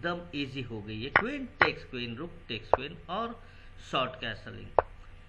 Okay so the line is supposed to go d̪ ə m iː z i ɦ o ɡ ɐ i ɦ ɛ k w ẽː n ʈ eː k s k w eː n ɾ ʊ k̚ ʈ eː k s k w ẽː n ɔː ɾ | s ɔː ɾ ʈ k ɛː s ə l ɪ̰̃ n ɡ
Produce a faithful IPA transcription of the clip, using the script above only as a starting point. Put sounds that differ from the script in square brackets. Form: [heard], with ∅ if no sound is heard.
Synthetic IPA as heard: d̪ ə m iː z i ɦ o ɡ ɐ i ɦ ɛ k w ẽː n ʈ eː k s k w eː n ɾ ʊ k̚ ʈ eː k s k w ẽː n ɔː ɾ | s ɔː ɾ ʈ k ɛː s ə l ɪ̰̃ [ŋ] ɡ